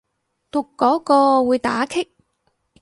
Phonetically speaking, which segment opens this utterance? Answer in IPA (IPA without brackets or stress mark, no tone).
t̪